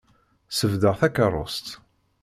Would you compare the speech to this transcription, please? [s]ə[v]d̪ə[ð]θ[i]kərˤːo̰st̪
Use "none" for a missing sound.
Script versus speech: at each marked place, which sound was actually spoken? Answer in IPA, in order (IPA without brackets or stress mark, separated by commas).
s, v, ʁ, æ